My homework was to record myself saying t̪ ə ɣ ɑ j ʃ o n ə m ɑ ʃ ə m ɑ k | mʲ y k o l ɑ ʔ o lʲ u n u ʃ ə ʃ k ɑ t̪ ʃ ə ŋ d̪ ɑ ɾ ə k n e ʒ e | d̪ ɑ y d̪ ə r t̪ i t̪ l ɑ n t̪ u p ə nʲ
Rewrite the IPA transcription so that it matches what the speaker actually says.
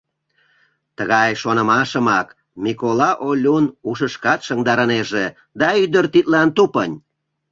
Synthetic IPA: t̪ ə ɣ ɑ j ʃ o n ə m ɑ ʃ ə m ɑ k | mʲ i k o l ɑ ʔ o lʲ u n u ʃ ə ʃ k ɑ t̪ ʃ ə ŋ d̪ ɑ ɾ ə n e ʒ e | d̪ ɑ y d̪ ə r t̪ i t̪ l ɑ n t̪ u p ə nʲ

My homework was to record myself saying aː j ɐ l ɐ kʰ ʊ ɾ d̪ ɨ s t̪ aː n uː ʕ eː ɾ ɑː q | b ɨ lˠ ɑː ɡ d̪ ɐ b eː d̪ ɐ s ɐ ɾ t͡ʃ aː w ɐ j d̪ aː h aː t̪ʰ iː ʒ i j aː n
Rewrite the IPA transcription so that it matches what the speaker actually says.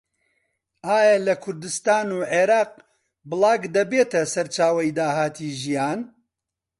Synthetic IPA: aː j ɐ l ɐ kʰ ʊ ɾ d̪ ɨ s t̪ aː n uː ʕ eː ɾ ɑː q | b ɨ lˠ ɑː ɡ d̪ ɐ b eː t̪ ɐ s ɐ ɾ t͡ʃ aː w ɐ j d̪ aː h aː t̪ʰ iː ʒ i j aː n

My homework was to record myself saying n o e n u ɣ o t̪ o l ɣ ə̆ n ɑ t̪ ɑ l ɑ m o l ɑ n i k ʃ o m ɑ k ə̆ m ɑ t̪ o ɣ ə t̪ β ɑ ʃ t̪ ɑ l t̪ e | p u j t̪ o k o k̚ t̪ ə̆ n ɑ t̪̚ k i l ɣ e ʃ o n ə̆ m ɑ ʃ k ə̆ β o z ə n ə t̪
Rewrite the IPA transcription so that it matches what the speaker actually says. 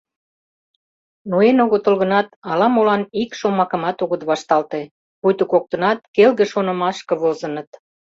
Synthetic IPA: n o e n o ɣ o t̪ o l ɣ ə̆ n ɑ t̪ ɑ l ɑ m o l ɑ n i k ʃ o m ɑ k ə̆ m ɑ t̪ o ɣ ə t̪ β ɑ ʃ t̪ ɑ l t̪ e | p u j t̪ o k o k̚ t̪ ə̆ n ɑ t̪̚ k e l ɣ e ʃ o n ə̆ m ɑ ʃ k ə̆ β o z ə n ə t̪

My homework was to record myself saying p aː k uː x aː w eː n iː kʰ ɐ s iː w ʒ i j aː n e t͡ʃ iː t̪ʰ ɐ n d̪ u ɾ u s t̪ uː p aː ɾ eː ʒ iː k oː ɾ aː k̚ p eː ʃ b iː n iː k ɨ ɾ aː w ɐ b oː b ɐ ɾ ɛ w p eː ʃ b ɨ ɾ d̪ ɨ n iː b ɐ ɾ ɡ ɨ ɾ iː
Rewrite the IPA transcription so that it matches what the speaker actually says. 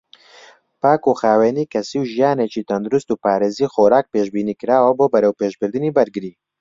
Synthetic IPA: p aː k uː x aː w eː n iː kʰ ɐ s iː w ʒ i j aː n e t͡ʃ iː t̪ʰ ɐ n d̪ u ɾ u s t̪ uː p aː ɾ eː z iː x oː ɾ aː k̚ p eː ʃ b iː n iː k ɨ ɾ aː w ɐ b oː b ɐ ɾ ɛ w p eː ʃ b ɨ ɾ d̪ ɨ n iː b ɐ ɾ ɡ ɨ ɾ iː

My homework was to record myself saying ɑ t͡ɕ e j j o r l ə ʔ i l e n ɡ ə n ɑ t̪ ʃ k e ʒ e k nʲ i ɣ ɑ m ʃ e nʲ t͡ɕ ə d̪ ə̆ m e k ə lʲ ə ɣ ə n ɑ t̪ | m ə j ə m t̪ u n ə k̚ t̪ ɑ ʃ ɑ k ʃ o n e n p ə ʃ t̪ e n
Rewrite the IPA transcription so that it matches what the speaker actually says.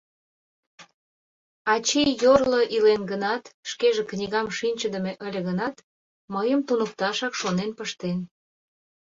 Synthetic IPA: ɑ t͡ɕ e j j o r l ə ʔ i l e n ɡ ə n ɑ t̪ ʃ k e ʒ e k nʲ i ɣ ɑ m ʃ i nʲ t͡ɕ ə d̪ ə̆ m e ʔ ə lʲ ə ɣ ə n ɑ t̪ | m ə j ə m t̪ u n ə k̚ t̪ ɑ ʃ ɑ k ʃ o n e n p ə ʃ t̪ e n

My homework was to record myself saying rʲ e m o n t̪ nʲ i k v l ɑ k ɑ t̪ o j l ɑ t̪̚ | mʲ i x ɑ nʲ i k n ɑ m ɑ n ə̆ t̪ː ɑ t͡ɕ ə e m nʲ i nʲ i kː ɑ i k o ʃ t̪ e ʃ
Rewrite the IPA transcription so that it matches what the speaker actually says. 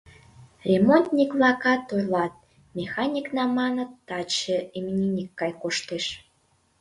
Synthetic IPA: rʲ e m o n t̪ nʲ i k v l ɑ k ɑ t̪ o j l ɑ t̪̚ | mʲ e x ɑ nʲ i k n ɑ m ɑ n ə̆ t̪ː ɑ t͡ɕ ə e m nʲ i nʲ i kː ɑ j k o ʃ t̪ e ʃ

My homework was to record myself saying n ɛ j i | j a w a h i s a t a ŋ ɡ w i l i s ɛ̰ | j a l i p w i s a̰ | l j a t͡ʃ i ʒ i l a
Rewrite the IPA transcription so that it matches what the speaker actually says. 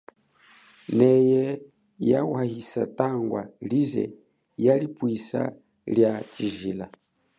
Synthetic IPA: n ɛ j ɛ | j a w a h i s a t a ŋ ɡ w a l i z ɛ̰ | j a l i p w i s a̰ | l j a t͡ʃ i ʒ i l a

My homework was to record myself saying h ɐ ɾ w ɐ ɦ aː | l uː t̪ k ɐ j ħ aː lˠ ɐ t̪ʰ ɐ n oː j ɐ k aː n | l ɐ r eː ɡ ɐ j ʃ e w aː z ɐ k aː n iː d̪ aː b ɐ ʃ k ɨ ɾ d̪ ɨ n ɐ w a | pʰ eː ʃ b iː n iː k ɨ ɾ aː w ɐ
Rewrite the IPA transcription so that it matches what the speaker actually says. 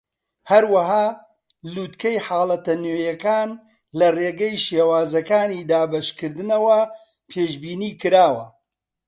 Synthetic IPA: h ɐ ɾ w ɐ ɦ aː | l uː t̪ k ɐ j ħ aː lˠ ɐ t̪ ɐ n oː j ɐ k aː n | l ɐ r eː ɡ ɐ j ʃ e w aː z ɐ k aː n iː d̪ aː b ɐ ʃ k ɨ ɾ d̪ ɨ n ɐ w ɐ | pʰ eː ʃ b iː n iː k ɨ ɾ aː w ɐ

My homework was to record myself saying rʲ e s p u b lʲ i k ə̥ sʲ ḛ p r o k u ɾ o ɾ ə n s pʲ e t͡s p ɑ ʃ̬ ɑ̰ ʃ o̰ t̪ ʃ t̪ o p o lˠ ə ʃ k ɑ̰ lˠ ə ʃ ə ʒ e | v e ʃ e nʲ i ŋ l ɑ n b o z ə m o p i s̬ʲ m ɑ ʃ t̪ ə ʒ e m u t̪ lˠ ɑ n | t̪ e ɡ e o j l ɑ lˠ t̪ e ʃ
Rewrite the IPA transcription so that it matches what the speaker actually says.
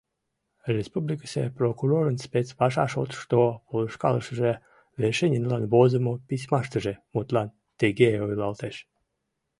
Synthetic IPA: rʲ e s p u b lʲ i k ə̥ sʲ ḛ p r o k u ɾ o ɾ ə n s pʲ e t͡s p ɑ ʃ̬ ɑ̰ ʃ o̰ t̪ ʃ t̪ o p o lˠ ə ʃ k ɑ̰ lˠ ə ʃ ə ʒ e | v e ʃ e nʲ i n l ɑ n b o z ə m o p i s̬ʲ m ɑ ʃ t̪ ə ʒ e m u t̪ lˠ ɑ n | t̪ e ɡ e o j l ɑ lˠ t̪ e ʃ

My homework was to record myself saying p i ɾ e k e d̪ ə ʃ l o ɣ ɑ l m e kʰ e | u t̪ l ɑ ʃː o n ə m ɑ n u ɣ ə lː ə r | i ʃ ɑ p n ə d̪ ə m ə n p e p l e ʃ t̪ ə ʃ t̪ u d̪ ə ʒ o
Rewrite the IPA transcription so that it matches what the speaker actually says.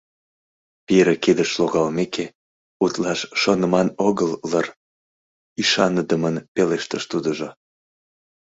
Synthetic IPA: p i ɾ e k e d̪ ə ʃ l o ɣ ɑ l m e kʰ e | u t̪ l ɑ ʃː o n ə m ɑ n o ɣ ə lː ə r | i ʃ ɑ n ə d̪ ə m ə n p e l e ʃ t̪ ə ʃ t̪ u d̪ ə ʒ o

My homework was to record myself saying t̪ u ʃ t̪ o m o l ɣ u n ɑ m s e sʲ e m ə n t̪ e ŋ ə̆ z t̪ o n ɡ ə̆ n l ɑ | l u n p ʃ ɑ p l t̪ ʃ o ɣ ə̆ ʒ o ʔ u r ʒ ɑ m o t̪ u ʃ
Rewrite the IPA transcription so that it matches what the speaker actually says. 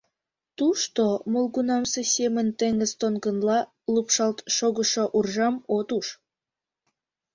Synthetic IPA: t̪ u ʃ t̪ o m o l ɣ u n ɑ m s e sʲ e m ə n t̪ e ŋ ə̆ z t̪ o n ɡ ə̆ n l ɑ | l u p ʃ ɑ l t̪ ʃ o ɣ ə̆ ʃ o ʔ u r ʒ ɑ m o t̪ u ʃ

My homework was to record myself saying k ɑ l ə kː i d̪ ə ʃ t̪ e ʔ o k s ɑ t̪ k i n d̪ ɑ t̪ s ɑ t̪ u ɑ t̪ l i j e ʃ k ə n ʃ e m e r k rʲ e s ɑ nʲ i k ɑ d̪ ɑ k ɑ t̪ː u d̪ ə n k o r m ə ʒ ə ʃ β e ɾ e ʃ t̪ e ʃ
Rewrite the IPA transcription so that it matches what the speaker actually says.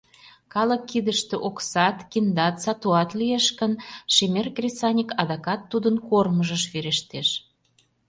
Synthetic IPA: k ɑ l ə kː i d̪ ə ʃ t̪ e ʔ o k s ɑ t̪ k i n d̪ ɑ t̪ s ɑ t̪ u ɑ t̪ l i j e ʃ k ə n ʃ e m e r k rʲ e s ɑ nʲ i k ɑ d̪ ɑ k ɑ t̪ː u d̪ ə n k o r m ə ʒ ə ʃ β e ɾ e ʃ t̪ e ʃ

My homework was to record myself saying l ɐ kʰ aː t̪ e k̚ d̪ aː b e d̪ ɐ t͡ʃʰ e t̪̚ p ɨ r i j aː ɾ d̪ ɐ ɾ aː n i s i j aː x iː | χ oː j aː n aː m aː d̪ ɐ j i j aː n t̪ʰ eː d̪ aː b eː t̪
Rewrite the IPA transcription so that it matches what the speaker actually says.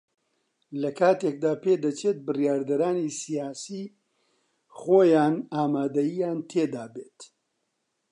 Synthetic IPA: l ɐ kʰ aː t̪ e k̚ d̪ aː p e d̪ ɐ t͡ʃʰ e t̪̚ b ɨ r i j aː ɾ d̪ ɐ ɾ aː n i s i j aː s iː | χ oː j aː n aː m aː d̪ ɐ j i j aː n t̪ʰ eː d̪ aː b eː t̪

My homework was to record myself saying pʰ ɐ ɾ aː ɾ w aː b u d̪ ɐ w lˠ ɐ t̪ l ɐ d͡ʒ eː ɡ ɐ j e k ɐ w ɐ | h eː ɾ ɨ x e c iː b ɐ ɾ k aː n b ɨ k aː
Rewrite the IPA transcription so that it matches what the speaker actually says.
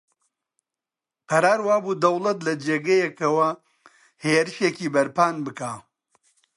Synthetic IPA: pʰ ɐ ɾ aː ɾ w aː b u d̪ ɐ w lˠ ɐ t̪ l ɐ d͡ʒ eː ɡ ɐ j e k ɐ w ɐ | h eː ɾ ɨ ʃ e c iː b ɐ ɾ p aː n b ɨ k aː

